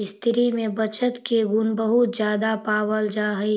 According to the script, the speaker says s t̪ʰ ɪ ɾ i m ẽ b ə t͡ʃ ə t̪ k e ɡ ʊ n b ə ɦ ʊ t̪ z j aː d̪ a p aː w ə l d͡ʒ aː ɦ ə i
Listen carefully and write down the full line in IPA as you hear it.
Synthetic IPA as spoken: s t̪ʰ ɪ ɾ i m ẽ b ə t͡ʃ ə t̪ k e ɡ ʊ n b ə ɦ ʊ t̪ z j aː d̪ a p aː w ə l d͡ʒ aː ɦ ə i